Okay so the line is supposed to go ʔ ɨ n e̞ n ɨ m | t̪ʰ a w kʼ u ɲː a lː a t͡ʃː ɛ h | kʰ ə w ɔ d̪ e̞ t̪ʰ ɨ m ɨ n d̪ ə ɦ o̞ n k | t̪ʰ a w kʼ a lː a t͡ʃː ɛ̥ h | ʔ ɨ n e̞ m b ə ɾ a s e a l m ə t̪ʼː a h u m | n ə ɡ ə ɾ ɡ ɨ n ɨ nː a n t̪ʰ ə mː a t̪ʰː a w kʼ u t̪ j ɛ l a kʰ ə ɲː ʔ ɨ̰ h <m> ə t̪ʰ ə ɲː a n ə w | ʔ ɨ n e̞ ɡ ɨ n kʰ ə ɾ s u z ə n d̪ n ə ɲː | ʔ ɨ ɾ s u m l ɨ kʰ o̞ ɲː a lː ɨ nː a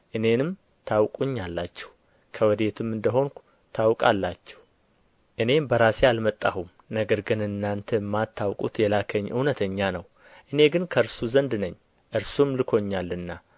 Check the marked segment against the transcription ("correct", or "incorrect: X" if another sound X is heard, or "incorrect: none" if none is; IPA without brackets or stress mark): incorrect: n